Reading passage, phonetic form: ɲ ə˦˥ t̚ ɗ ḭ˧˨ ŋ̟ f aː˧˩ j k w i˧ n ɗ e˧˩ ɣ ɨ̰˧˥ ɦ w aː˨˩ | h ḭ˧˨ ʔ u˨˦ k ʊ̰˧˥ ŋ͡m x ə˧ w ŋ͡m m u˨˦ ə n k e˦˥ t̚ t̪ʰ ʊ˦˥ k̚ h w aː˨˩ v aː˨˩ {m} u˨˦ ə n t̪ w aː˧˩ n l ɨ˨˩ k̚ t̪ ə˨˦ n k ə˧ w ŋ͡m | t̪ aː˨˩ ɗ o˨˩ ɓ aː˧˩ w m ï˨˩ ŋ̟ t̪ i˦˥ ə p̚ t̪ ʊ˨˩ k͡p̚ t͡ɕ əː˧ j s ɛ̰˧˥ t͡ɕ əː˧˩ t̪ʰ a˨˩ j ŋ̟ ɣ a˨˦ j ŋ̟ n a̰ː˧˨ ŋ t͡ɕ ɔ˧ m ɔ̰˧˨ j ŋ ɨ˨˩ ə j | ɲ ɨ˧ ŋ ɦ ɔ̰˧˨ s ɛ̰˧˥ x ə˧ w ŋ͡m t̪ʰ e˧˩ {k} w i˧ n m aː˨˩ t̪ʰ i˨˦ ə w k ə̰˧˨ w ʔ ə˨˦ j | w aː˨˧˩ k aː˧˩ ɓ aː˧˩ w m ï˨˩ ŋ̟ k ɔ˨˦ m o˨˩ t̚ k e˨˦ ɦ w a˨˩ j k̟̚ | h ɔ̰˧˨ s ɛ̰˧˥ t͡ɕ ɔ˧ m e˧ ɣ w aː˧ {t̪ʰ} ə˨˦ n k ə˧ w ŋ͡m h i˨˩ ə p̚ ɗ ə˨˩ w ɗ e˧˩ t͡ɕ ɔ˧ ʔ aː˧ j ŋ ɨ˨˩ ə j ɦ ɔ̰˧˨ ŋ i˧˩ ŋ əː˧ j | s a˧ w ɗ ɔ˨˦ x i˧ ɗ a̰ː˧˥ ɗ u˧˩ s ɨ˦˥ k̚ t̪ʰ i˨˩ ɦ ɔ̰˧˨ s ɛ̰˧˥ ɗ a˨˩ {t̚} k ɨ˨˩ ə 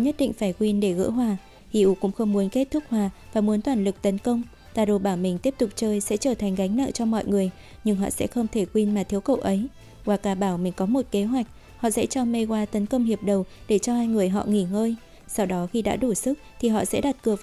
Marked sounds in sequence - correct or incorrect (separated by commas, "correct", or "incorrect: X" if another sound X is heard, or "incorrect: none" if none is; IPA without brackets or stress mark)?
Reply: correct, correct, incorrect: t̪, correct